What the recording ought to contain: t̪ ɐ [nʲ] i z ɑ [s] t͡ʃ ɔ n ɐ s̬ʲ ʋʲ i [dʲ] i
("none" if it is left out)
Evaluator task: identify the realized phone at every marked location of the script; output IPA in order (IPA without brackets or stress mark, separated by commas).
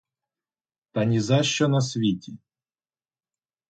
nʲ, ʃ, tʲ